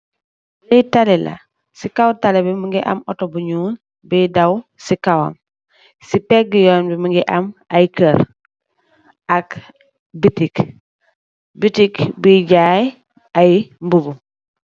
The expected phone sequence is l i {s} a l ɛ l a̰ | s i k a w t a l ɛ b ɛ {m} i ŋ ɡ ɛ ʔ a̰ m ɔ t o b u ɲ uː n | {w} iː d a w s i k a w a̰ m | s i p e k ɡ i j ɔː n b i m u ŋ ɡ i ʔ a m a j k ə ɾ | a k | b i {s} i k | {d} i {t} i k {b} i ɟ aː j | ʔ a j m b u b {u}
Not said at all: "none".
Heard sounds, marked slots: t, m, b, t, b, t, b, u

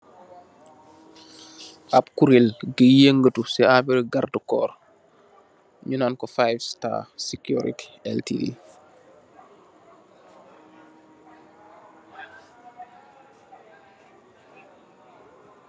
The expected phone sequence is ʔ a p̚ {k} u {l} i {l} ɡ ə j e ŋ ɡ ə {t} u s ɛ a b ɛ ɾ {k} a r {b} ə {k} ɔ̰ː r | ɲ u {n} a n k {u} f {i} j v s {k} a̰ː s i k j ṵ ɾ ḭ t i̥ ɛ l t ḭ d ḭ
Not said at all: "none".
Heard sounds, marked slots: k, ɾ, l, t, ɡ, d, k, n, ɔ, a, t

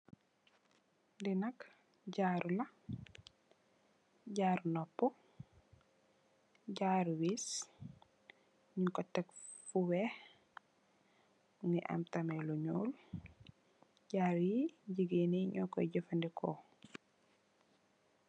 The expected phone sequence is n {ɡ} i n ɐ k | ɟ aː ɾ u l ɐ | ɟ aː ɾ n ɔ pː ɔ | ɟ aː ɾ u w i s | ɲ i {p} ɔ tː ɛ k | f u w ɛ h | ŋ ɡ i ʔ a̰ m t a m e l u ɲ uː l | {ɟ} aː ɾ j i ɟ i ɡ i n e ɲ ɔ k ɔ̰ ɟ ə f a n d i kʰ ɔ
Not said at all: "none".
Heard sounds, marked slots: d, k, ɟ

